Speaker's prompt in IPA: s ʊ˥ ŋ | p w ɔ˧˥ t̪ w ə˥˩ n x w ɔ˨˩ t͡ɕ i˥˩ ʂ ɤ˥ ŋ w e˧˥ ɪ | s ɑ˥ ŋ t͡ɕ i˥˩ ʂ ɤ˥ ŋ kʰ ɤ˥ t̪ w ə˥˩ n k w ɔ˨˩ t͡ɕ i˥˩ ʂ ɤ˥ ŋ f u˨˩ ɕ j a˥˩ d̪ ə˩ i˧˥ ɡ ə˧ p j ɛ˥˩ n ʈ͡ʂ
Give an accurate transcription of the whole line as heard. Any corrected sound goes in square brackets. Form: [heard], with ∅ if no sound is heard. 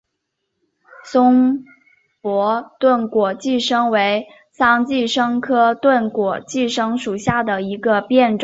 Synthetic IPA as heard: s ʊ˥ ŋ | p w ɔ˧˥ t̪ w ə˥˩ n [k] w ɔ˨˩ t͡ɕ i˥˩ ʂ ɤ˥ ŋ w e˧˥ ɪ | s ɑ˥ ŋ t͡ɕ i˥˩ ʂ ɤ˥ ŋ kʰ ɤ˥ t̪ w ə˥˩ n k w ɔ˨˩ t͡ɕ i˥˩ ʂ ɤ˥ ŋ [ʂ] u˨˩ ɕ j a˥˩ d̪ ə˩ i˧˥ ɡ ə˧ p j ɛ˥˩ n ʈ͡ʂ